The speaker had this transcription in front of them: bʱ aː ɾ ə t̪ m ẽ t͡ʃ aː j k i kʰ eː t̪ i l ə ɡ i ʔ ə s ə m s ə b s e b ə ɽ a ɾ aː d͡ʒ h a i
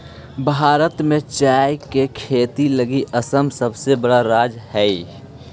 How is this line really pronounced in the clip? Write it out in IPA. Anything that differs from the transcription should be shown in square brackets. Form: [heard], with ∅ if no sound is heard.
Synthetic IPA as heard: bʱ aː ɾ ə t̪ m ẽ t͡ʃ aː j k [e] kʰ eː t̪ i l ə ɡ i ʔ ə s ə m s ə b s e b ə ɽ a ɾ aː d͡ʒ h [ɛ] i